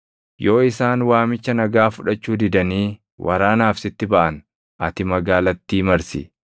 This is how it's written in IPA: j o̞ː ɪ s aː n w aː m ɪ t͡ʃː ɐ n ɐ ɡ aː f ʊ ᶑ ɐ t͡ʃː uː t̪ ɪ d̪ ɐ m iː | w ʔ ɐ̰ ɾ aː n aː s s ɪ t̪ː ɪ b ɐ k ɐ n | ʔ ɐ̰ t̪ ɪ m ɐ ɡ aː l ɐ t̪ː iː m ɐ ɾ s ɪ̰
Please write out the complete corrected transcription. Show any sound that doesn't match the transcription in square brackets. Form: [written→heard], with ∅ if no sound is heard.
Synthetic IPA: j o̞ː ɪ s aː n w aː m ɪ t͡ʃː ɐ n ɐ ɡ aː f ʊ ᶑ ɐ t͡ʃː uː [t̪→d̪] ɪ d̪ ɐ [m→n] iː | w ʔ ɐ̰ ɾ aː n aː [s→f] s ɪ t̪ː ɪ b ɐ [k→ʔ] ɐ n | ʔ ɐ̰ t̪ ɪ m ɐ ɡ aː l ɐ t̪ː iː m ɐ ɾ s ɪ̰